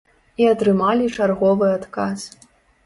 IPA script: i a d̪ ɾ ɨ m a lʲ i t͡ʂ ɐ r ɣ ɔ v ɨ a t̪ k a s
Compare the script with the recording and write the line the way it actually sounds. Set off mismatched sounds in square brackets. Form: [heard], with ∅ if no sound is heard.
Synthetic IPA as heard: i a [t̪] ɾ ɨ m a lʲ i t͡ʂ [a] r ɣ ɔ v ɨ a t̪ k a s